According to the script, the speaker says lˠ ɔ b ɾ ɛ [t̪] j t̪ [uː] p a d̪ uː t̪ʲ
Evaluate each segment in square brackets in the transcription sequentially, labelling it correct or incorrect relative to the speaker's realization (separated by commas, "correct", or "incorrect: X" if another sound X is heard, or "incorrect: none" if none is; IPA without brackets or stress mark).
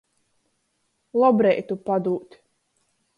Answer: incorrect: none, incorrect: u